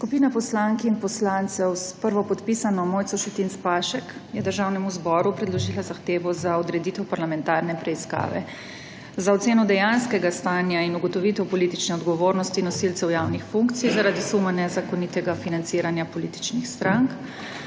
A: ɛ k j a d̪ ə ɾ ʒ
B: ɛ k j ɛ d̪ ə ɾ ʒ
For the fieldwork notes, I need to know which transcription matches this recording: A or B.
B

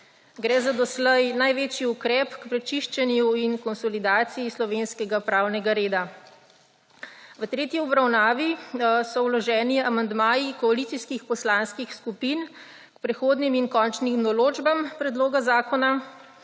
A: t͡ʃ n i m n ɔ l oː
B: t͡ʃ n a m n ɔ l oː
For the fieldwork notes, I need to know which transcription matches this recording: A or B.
A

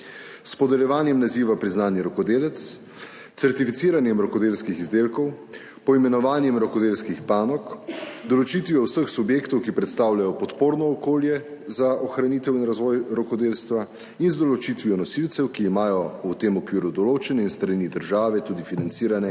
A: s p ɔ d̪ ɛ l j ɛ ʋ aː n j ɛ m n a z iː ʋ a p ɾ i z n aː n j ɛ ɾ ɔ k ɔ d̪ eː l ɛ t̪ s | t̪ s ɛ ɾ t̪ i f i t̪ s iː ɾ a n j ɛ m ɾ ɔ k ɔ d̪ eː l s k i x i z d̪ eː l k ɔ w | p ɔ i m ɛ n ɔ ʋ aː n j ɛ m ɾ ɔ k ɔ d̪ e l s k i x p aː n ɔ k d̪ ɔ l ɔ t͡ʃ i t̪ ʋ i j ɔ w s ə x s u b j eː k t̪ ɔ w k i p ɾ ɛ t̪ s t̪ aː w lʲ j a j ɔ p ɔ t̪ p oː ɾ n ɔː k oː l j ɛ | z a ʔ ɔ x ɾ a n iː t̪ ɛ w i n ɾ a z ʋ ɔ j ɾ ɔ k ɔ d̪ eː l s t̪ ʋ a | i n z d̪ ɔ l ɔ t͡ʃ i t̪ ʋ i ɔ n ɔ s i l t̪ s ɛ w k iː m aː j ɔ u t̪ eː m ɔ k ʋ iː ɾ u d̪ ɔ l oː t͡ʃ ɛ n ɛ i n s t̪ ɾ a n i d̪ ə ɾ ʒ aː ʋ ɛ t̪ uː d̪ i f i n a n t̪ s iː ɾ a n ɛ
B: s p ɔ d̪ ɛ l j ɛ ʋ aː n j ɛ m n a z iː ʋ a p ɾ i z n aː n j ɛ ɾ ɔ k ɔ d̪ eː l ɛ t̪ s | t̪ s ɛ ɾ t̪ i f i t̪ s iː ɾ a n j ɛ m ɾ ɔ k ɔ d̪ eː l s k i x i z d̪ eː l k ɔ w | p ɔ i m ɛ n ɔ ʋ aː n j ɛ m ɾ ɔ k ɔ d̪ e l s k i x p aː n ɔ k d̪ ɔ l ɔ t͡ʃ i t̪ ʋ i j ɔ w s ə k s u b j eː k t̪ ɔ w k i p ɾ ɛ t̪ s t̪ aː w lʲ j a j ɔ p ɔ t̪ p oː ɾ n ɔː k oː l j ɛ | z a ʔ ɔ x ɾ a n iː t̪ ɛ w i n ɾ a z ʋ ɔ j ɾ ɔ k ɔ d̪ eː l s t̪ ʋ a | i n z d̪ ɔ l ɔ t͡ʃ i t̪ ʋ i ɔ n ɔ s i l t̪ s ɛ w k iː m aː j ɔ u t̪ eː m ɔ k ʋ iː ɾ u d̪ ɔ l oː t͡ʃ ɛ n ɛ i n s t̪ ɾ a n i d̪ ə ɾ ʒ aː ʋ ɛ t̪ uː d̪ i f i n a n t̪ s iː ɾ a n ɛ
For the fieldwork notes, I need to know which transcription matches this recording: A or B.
A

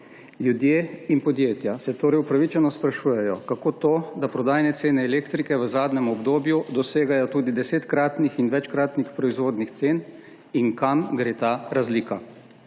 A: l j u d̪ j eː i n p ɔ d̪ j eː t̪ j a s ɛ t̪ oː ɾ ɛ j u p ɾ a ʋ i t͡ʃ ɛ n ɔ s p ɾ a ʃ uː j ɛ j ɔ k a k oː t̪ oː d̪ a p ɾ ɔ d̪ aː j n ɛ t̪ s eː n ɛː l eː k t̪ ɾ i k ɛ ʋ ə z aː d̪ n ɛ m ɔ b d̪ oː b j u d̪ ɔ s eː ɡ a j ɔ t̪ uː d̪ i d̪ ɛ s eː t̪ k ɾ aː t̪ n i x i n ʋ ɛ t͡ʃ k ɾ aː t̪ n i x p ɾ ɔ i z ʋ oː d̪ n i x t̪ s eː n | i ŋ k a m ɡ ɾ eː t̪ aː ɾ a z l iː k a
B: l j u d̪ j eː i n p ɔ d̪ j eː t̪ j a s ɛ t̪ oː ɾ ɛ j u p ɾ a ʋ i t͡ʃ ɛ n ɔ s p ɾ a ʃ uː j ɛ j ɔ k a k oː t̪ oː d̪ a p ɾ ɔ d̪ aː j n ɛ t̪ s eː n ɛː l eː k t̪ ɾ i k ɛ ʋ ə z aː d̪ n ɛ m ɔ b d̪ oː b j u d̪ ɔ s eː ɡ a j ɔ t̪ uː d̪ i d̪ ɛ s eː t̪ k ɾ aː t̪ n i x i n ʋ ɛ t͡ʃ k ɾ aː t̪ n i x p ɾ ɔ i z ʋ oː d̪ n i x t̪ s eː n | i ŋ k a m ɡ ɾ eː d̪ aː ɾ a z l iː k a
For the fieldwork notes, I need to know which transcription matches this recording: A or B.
A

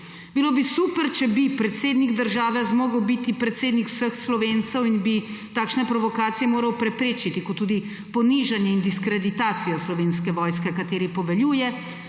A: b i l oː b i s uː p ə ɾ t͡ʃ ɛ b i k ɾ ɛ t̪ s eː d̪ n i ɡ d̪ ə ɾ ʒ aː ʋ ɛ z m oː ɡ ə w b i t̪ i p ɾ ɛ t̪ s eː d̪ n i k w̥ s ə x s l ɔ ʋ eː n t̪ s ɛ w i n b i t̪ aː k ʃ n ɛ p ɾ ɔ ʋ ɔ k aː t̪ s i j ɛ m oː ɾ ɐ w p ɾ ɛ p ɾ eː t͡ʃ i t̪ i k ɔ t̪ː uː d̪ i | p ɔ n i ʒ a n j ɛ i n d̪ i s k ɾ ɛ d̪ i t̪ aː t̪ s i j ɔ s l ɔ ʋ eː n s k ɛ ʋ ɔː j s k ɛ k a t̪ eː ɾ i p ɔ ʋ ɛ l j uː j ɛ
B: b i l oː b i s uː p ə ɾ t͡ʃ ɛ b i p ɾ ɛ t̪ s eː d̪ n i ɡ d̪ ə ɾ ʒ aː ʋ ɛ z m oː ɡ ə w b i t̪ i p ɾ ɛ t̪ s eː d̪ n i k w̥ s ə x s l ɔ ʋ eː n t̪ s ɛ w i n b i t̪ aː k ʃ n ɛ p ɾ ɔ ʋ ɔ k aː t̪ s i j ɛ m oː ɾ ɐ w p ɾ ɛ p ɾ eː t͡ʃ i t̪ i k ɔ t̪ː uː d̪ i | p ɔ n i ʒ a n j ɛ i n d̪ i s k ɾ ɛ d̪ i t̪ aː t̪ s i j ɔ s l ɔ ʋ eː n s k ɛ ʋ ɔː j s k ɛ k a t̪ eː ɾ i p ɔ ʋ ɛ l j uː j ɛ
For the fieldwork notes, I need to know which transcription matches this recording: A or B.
B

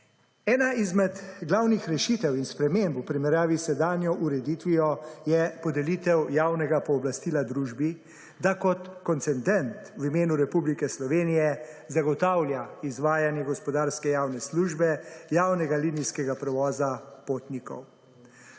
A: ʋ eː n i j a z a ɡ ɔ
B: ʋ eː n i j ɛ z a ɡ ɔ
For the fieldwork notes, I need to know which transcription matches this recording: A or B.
B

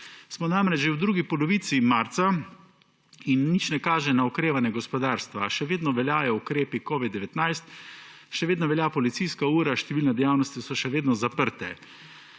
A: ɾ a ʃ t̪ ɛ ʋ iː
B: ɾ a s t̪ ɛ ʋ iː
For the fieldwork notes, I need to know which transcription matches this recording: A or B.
A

